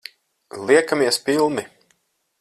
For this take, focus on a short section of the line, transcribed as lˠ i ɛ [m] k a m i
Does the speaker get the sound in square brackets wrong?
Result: yes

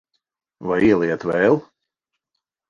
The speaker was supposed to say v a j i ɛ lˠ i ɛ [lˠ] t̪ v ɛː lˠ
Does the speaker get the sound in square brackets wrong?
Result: yes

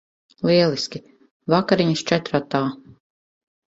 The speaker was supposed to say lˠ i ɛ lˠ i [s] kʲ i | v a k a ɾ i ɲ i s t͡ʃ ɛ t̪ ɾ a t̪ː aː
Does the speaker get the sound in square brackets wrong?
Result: no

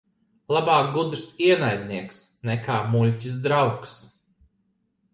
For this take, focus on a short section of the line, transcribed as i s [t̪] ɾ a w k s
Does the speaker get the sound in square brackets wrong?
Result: yes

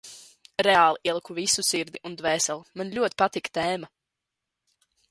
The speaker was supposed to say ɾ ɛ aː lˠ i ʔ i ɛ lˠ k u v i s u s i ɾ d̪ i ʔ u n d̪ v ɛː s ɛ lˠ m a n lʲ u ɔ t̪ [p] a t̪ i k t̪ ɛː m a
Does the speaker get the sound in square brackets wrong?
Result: no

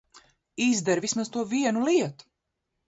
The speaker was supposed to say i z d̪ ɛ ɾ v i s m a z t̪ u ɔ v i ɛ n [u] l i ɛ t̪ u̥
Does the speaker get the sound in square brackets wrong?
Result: no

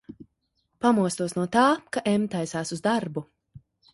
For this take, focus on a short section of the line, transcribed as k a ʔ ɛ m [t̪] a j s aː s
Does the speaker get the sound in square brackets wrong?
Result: no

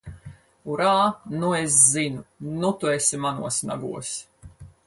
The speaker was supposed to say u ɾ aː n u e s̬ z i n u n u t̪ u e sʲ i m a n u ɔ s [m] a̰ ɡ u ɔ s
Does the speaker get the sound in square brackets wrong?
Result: yes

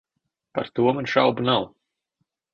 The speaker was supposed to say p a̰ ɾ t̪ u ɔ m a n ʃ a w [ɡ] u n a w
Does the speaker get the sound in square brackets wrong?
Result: yes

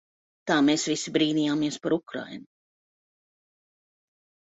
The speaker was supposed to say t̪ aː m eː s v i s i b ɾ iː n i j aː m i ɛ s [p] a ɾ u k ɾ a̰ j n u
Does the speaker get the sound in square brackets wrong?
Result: no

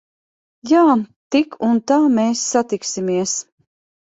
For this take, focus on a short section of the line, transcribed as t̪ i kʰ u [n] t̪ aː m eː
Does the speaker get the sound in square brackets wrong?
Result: no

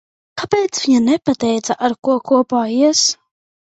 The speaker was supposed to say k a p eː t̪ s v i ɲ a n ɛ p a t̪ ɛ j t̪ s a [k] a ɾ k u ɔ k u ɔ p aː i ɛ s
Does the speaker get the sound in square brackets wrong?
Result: yes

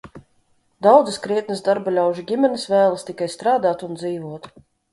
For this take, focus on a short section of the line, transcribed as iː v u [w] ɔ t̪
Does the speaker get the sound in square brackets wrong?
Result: yes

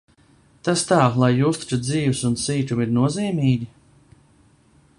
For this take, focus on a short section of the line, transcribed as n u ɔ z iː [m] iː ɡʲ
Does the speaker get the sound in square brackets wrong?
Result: no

